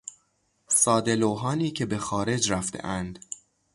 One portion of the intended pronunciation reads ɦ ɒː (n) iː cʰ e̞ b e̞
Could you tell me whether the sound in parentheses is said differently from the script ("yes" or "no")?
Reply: no